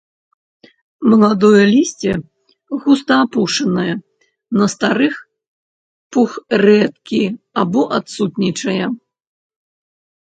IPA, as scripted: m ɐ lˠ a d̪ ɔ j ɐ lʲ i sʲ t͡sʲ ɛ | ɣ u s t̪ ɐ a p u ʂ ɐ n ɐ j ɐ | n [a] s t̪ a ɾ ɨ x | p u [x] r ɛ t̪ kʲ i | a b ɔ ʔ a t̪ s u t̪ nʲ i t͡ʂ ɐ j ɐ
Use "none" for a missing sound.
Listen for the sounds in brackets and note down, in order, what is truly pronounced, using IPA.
ɐ, x

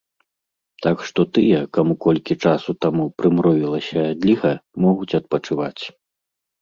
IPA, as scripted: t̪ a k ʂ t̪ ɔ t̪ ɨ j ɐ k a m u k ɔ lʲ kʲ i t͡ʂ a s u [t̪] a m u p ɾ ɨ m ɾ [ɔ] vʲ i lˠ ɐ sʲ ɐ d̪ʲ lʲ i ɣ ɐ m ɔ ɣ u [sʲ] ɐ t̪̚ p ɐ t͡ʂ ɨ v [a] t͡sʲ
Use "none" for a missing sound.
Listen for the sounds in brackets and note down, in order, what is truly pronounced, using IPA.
t̪, ɔ, t͡sʲ, a

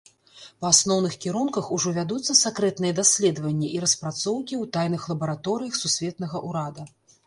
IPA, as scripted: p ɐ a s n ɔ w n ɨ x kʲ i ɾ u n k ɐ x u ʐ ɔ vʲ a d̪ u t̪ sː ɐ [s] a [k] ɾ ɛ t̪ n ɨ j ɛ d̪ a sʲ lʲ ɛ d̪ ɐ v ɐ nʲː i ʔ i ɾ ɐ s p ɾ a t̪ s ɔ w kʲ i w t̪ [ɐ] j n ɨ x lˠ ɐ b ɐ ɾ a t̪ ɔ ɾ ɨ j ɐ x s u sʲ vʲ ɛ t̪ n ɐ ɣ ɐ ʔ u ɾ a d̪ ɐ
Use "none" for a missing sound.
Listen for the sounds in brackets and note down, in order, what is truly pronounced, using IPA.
s, k, a

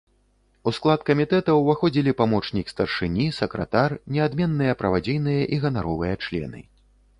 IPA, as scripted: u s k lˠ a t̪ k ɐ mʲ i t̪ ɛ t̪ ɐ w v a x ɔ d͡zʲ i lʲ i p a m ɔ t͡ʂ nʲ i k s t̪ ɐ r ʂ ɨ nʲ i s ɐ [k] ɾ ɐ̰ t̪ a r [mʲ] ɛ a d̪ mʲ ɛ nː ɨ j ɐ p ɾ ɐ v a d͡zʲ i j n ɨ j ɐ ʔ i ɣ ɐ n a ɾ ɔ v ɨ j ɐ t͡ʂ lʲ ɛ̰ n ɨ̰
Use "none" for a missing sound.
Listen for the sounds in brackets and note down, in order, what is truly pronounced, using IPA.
k, nʲ

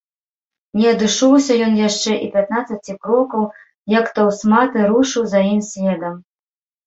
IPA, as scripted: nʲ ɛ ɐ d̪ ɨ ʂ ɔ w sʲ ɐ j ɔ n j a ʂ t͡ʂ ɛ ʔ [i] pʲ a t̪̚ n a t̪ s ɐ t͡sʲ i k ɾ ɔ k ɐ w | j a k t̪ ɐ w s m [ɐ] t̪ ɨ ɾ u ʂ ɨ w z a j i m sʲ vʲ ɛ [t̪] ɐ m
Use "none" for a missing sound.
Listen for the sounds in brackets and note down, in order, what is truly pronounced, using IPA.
i, a, d̪

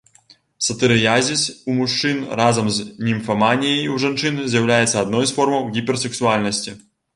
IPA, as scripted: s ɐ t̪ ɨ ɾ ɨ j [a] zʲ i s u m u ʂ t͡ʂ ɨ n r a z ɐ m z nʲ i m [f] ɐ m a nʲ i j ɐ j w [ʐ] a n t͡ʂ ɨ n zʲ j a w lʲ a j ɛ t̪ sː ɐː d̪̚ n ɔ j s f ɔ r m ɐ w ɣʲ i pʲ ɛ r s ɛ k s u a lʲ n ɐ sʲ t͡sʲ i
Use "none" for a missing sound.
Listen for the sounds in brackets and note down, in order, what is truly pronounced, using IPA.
a, f, ʐ

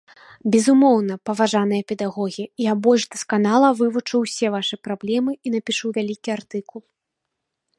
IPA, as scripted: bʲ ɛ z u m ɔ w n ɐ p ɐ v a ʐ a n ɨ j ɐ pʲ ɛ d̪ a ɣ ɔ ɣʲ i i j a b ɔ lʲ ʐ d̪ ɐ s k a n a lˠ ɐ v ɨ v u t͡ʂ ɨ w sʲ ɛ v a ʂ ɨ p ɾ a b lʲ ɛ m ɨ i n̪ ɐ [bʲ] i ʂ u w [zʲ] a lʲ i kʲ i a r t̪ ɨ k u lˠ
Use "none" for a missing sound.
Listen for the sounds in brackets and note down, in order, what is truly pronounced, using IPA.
pʲ, vʲ

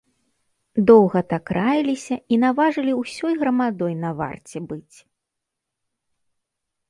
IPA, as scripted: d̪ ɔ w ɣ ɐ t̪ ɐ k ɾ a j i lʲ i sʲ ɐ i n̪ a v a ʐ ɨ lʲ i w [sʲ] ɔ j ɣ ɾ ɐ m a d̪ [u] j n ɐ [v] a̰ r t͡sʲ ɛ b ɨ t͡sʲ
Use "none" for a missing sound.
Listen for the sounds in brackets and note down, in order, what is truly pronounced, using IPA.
sʲ, ɔ, v

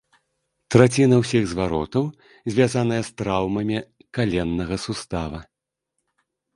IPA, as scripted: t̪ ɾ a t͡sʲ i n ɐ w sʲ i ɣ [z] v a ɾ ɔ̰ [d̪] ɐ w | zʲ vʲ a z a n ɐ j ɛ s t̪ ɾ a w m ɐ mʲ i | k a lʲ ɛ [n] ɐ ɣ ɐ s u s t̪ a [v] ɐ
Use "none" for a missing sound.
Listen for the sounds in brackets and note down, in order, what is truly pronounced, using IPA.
z, t̪, nː, v

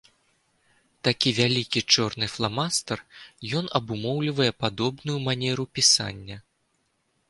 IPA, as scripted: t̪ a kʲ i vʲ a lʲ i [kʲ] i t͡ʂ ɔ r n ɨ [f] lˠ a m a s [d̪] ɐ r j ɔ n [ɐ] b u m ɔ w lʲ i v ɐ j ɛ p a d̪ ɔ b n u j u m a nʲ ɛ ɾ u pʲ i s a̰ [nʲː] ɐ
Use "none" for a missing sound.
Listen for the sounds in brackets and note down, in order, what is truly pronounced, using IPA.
kʲ, f, t̪, ɐ, nʲː

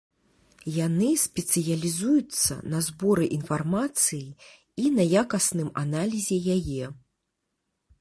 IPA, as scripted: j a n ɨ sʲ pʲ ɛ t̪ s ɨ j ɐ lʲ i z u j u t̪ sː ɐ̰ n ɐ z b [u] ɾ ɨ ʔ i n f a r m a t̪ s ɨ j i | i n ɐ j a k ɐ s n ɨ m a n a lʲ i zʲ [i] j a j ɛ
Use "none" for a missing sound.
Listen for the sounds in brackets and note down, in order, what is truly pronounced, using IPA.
ɔ, ɛ

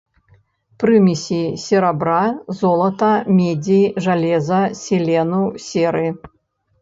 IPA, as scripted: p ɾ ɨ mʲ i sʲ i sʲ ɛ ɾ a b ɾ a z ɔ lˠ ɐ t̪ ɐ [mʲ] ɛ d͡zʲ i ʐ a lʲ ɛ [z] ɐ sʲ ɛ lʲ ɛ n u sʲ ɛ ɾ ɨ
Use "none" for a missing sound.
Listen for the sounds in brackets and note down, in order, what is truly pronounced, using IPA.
mʲ, z

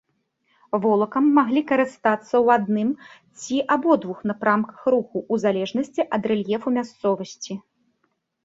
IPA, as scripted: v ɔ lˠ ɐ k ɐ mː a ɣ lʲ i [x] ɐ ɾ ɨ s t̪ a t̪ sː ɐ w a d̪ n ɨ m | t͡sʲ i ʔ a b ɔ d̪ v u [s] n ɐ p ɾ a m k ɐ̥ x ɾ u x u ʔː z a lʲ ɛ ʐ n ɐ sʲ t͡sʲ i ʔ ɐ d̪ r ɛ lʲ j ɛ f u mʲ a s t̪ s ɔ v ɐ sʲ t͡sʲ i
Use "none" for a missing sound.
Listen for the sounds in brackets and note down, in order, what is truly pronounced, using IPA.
k, x

